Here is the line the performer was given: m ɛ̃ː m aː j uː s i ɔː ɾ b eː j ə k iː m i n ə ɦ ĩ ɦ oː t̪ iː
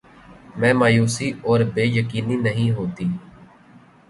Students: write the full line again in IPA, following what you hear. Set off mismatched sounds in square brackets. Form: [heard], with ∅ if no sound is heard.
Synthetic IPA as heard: m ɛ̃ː m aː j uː s i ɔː ɾ b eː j ə k iː [n] i n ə ɦ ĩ ɦ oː t̪ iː